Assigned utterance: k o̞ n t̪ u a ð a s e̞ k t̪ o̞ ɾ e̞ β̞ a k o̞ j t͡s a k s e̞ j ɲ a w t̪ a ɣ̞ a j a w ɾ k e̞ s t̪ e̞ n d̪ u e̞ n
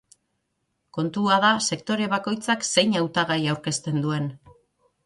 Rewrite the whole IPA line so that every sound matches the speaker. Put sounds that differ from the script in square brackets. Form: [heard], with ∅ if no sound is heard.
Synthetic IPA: k o̞ n t̪ u a ð a s e̞ k t̪ o̞ ɾ e̞ β̞ a k o̞ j t͡s a k s e̞ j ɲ a w t̪ a ɣ̞ a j a w ɾ k e̞ s t̪ e̞ n d̪ u e̞ n

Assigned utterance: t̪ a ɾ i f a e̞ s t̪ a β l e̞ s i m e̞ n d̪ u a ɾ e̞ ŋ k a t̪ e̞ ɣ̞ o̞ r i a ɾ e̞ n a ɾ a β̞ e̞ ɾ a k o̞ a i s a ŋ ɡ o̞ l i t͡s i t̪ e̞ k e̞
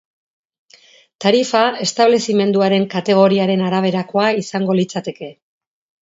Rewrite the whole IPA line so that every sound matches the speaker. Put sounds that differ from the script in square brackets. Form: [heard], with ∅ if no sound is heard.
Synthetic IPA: t̪ a ɾ i f a e̞ s t̪ a β l e̞ s i m e̞ n d̪ u a ɾ e̞ ŋ k a t̪ e̞ ɣ̞ o̞ [ɾ] i a ɾ e̞ n a ɾ a β̞ e̞ ɾ a k o̞ a i s a ŋ ɡ o̞ l i t͡s [a] t̪ e̞ k e̞

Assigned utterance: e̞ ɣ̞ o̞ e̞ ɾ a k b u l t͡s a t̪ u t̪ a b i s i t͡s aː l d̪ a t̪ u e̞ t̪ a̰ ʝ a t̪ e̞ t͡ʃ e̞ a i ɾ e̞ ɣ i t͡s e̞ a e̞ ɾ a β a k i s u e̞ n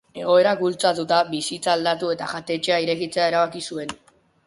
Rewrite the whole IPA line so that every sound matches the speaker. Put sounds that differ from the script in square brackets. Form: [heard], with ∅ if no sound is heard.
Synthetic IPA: e̞ ɣ̞ o̞ e̞ ɾ a k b u l t͡s a t̪ u t̪ a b i s i t͡s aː l d̪ a t̪ u e̞ t̪ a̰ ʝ a t̪ e̞ t͡ʃ e̞ a i ɾ e̞ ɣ i t͡s e̞ a e̞ ɾ a β a k i s u e̞ n

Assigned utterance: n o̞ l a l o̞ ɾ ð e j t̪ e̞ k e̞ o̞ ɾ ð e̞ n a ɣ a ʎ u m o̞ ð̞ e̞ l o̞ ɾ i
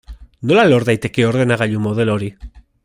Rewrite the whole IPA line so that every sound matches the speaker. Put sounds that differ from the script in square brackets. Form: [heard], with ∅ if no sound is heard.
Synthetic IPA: n o̞ l a l o̞ ɾ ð [a] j t̪ e̞ k e̞ o̞ ɾ ð e̞ n a ɣ a ʎ u m o̞ ð̞ e̞ l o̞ ɾ i

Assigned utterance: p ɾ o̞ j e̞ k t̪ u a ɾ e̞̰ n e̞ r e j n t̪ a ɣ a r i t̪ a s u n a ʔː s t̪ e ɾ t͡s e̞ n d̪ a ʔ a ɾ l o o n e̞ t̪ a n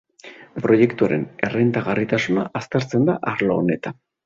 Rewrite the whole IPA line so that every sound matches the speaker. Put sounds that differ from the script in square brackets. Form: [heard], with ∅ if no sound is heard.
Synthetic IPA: p ɾ o̞ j e̞ k t̪ u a ɾ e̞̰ n e̞ r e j n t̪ a ɣ a r i t̪ a s u n a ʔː s t̪ e ɾ t͡s e̞ n d̪ a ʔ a ɾ l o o n e̞ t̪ a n

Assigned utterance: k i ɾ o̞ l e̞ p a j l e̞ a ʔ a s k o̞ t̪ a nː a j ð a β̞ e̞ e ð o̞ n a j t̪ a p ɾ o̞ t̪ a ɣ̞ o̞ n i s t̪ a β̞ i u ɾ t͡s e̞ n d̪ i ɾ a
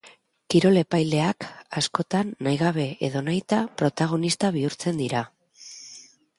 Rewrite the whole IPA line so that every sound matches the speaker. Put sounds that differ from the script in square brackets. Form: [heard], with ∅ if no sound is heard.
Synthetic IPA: k i ɾ o̞ l e̞ p a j l e̞ a [k] a s k o̞ t̪ a nː a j [ɣ] a β̞ e̞ e ð o̞ n a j t̪ a p ɾ o̞ t̪ a ɣ̞ o̞ n i s t̪ a β̞ i u ɾ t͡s e̞ n d̪ i ɾ a

